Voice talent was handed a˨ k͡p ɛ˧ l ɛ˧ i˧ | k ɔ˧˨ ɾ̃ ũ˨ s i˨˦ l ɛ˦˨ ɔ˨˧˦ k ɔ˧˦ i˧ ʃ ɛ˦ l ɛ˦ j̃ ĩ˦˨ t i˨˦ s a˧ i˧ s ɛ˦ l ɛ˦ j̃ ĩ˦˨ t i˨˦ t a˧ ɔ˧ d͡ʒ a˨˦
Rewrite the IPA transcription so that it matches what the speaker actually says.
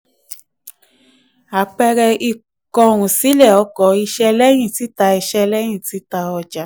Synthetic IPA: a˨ k͡p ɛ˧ ɾ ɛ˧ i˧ | k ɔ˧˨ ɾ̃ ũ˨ s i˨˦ l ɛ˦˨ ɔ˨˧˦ k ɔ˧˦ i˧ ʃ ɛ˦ l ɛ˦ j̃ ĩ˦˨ t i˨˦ t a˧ i˧ ʃ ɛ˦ l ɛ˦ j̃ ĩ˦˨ t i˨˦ t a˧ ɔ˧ d͡ʒ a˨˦